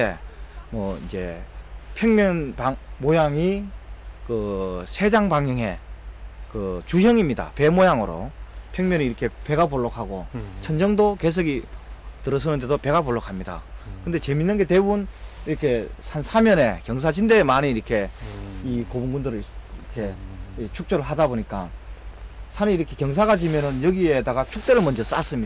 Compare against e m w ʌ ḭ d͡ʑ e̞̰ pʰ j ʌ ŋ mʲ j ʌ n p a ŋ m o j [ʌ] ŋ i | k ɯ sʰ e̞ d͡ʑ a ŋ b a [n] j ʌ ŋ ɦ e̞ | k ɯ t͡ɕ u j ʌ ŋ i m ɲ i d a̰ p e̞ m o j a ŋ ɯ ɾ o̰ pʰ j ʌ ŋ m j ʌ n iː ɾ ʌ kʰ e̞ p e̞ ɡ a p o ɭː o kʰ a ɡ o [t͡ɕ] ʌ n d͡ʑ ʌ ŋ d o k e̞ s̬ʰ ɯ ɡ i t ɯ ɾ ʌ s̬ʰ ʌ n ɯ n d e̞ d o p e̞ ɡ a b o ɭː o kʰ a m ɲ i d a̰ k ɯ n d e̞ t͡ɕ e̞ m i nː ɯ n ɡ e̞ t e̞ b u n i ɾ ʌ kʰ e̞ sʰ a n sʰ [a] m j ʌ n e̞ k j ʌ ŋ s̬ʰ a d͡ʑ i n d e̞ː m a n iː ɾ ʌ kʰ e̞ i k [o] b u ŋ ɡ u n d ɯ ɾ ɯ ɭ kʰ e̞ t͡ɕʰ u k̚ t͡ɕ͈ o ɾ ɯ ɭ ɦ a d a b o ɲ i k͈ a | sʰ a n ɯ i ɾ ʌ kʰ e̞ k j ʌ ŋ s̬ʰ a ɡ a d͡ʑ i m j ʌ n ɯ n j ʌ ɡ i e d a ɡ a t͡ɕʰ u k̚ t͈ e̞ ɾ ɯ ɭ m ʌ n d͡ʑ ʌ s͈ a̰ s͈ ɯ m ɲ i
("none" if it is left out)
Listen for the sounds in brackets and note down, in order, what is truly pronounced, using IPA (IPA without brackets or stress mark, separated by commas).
a, ŋ, t͡ɕʰ, a, o